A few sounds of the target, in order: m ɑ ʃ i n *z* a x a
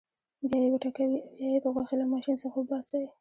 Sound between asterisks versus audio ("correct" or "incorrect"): incorrect